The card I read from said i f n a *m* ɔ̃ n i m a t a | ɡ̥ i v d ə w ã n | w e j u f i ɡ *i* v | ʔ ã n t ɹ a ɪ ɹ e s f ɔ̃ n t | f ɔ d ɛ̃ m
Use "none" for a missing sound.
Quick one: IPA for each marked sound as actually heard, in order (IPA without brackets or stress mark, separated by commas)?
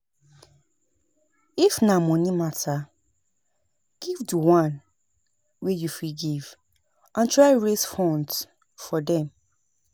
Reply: m, i